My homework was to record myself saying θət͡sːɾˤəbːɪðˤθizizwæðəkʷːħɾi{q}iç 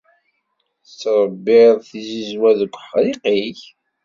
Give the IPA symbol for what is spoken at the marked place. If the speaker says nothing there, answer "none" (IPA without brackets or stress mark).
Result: q